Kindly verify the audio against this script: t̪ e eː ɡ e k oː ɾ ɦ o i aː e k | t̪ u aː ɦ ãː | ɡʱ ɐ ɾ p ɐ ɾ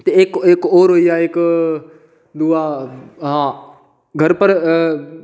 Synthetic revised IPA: t̪ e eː k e k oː ɾ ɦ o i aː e k | d̪ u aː ɦ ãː | ɡʱ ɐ ɾ p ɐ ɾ